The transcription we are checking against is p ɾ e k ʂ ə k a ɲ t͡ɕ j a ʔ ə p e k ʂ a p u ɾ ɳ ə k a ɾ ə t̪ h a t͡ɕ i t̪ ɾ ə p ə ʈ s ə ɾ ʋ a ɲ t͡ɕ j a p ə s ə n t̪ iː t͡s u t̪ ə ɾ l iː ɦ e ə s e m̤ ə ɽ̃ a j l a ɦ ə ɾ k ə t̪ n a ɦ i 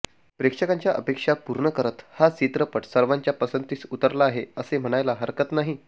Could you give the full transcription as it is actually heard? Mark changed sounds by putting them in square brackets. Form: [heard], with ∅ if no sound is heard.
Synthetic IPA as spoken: p ɾ e k ʂ ə k a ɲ t͡ɕ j a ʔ ə p e k ʂ a p u ɾ ɳ ə k [ə] ɾ ə t̪ h a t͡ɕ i t̪ ɾ ə p ə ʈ s ə ɾ ʋ a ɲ t͡ɕ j a p ə s ə n t̪ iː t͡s u t̪ ə ɾ l [aː] ɦ e ə s e m̤ ə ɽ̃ a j l a ɦ ə ɾ k ə t̪ n a ɦ i